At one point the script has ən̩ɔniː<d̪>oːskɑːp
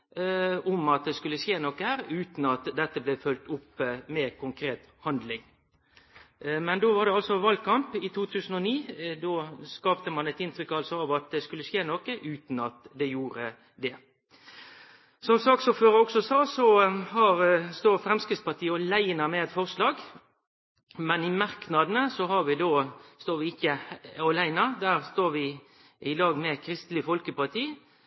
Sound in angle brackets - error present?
no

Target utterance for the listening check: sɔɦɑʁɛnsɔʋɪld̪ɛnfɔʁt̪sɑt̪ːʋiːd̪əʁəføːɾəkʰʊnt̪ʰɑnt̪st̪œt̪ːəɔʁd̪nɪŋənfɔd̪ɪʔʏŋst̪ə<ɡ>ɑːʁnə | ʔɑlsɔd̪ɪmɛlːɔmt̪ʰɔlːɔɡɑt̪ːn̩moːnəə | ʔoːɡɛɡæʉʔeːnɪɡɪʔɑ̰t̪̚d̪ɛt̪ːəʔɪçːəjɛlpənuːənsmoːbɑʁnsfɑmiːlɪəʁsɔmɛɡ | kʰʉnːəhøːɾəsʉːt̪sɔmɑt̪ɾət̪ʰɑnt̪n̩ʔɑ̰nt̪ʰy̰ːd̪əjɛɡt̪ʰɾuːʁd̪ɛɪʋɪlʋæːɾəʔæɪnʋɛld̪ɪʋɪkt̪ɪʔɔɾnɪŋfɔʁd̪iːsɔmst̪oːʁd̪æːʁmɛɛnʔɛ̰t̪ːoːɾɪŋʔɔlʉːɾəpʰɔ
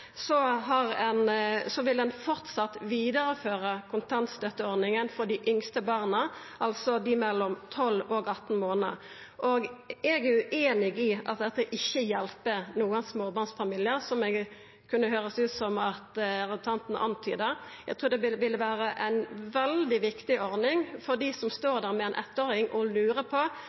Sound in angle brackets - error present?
yes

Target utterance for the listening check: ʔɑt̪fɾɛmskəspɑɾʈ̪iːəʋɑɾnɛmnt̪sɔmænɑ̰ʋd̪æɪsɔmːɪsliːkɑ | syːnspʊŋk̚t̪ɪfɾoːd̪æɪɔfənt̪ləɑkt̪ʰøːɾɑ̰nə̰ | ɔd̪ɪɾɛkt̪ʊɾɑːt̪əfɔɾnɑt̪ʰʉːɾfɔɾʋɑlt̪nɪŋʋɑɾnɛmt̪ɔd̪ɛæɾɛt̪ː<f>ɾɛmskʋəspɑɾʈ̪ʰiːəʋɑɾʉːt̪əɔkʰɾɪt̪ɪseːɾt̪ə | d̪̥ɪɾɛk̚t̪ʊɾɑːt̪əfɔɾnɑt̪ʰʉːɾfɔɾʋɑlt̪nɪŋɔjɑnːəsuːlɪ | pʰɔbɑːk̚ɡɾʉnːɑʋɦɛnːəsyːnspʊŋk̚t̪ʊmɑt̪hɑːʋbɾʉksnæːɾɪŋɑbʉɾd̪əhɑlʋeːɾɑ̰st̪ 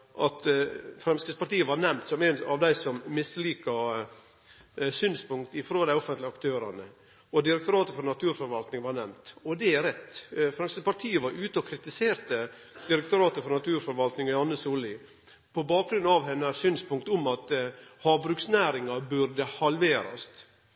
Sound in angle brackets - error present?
no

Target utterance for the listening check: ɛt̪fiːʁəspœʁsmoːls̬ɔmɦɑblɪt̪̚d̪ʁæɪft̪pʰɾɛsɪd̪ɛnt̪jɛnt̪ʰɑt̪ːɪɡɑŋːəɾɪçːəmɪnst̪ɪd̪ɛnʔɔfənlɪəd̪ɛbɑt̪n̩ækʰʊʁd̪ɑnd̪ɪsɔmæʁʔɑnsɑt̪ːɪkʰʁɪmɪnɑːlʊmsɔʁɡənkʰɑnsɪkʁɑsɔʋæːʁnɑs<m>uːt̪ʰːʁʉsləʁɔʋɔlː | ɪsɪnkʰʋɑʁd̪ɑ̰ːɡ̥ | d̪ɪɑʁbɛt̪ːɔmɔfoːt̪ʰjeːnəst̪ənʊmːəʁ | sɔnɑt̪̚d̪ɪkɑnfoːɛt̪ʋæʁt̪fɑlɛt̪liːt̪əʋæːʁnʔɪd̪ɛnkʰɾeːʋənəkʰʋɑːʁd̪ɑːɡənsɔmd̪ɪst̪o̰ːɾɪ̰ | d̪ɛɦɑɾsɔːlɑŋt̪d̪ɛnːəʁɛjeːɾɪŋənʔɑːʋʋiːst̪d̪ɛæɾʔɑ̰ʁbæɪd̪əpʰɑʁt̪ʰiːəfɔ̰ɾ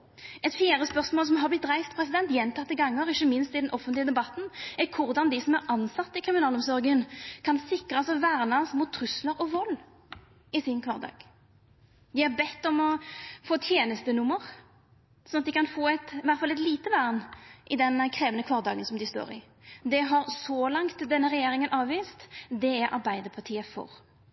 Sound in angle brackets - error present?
no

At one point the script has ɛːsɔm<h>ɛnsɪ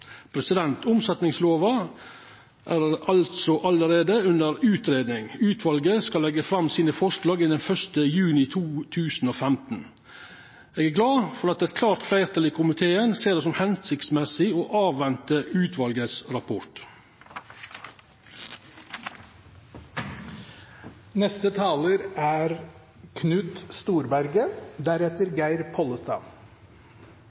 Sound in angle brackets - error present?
no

